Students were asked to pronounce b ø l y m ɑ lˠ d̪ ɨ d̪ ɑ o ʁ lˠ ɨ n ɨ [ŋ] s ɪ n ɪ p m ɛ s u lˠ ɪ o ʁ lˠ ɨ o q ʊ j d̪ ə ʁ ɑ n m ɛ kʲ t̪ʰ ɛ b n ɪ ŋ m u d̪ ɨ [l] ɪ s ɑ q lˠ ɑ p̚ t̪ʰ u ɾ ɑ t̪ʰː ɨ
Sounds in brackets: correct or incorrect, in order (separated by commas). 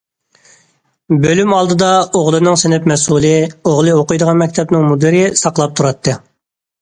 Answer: correct, incorrect